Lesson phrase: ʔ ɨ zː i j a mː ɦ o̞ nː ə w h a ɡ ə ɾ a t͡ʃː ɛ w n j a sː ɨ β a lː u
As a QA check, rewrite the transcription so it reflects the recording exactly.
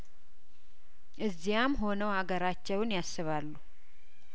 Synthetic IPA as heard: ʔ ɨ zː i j a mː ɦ o̞ n ə w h a ɡ ə ɾ a t͡ʃː ɛ w n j a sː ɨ β a lː u